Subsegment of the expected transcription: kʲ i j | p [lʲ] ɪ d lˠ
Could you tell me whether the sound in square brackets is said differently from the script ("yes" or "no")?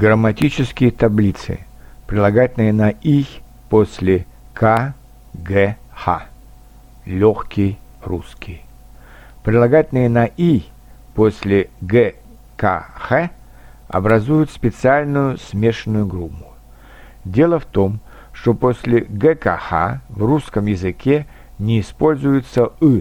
yes